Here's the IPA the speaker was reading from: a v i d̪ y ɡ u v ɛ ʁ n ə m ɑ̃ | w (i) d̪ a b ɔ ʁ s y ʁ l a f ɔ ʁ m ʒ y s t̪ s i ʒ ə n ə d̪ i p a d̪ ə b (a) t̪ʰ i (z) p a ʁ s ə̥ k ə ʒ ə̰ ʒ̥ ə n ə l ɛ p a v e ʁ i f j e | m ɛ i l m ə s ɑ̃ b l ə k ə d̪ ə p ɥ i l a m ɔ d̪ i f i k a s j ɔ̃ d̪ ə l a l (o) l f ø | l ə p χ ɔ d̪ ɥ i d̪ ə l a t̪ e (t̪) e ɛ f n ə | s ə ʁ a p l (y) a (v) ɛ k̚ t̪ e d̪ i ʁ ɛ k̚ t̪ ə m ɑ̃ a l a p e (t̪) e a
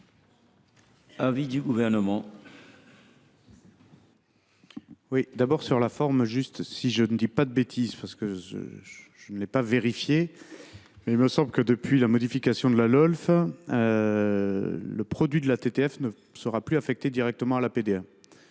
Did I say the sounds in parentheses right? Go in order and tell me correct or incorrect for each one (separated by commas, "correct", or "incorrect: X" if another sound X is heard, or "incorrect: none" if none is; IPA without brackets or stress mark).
correct, incorrect: e, correct, incorrect: ɔ, correct, correct, incorrect: f, incorrect: d̪